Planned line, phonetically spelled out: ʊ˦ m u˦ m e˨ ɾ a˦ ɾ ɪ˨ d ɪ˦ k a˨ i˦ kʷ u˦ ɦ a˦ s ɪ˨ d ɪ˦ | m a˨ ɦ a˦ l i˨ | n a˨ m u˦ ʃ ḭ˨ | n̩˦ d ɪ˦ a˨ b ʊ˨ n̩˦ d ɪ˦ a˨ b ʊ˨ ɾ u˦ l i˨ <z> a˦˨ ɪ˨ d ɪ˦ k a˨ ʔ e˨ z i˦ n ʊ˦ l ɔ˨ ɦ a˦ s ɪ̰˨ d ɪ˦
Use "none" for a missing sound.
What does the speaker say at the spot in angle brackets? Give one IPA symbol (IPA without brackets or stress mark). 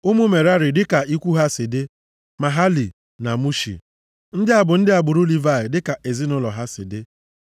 v